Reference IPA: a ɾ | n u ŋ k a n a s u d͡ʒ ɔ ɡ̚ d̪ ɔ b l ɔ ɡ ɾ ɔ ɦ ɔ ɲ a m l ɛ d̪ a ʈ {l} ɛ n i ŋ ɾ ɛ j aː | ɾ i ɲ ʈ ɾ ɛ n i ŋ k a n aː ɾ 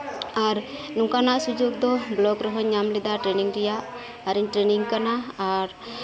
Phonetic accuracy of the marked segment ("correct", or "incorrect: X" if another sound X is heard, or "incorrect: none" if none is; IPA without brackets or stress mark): incorrect: ɾ